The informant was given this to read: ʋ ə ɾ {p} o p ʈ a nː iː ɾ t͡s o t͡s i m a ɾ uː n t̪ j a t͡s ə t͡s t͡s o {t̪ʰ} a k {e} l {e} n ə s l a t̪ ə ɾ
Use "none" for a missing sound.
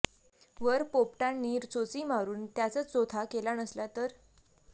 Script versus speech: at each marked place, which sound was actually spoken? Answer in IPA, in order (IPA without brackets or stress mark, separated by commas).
p, t̪ʰ, e, a